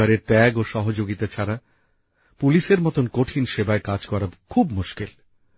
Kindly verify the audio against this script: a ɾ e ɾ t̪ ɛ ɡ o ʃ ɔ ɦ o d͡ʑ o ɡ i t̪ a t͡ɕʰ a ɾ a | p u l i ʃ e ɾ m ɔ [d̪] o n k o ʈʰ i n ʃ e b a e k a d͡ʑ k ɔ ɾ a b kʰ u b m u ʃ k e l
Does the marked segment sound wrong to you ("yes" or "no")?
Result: yes